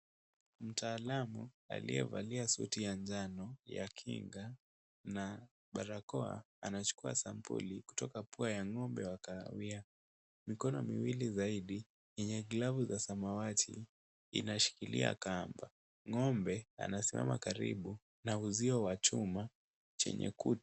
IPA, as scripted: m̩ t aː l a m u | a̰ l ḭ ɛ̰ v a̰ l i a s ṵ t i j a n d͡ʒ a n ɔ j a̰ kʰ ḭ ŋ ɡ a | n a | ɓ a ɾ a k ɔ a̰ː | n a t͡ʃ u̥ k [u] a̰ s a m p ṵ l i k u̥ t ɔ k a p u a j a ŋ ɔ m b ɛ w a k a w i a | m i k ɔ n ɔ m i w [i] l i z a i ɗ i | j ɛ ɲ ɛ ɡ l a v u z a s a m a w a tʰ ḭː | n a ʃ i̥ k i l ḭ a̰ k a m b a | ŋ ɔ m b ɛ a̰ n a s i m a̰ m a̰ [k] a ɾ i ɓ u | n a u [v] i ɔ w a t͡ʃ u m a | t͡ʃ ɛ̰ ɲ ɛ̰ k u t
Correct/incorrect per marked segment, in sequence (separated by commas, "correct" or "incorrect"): correct, correct, correct, incorrect